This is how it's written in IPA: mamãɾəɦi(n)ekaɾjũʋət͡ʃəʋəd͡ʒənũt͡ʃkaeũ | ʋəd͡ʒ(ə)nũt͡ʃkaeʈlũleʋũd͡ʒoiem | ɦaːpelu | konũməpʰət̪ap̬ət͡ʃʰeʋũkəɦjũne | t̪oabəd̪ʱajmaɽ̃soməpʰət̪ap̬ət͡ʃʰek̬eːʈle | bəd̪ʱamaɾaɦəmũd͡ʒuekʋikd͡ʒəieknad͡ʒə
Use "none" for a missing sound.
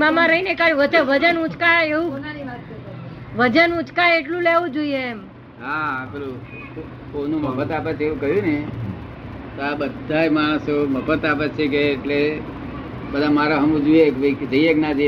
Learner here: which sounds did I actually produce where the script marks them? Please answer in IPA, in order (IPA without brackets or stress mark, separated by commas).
n, ə